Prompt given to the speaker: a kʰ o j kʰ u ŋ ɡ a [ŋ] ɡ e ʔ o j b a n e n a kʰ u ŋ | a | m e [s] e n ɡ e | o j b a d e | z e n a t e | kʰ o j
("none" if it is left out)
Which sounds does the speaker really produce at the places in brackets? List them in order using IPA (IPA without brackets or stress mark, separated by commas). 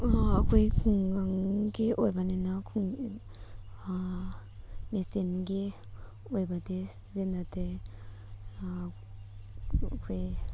ŋ, s